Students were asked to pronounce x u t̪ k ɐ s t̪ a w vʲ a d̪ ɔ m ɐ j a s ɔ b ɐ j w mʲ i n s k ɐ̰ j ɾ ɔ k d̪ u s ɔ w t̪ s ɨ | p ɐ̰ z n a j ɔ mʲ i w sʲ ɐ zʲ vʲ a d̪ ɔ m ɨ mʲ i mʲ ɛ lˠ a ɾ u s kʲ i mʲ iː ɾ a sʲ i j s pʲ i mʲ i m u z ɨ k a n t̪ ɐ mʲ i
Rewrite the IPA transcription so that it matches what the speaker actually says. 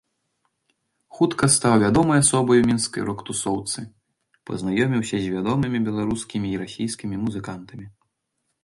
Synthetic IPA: x u t̪ k ɐ s t̪ a w vʲ a d̪ ɔ m ɐ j a s ɔ b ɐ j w mʲ i n s k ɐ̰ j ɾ ɔ k t̪ u s ɔ w t̪ s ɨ | p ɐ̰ z n a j ɔ mʲ i w sʲ ɐ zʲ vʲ a d̪ ɔ m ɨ mʲ i bʲ ɛ lˠ a ɾ u s kʲ i mʲ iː ɾ a sʲ i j s kʲ i mʲ i m u z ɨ k a n t̪ ɐ mʲ i